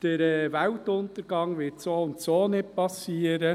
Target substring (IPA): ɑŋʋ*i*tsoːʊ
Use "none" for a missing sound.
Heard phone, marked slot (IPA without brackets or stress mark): ɪ